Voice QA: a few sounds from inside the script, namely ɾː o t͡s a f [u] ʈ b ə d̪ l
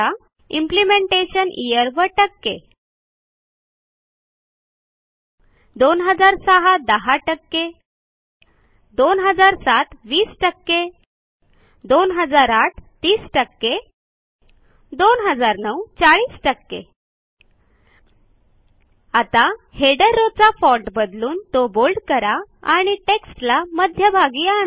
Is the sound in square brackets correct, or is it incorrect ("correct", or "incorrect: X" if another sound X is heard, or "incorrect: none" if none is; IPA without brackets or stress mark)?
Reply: incorrect: ɔ